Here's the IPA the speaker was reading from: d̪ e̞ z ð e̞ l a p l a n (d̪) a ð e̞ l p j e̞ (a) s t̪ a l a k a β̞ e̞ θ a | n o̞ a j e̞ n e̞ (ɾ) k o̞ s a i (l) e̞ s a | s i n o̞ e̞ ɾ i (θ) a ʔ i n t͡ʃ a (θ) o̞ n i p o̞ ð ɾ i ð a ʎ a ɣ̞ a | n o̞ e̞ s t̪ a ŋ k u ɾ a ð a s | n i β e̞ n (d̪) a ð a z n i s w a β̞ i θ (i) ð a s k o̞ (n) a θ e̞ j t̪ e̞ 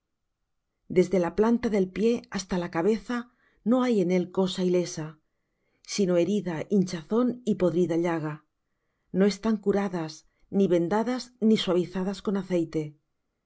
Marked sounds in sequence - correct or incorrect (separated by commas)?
incorrect, correct, incorrect, correct, incorrect, correct, correct, incorrect, correct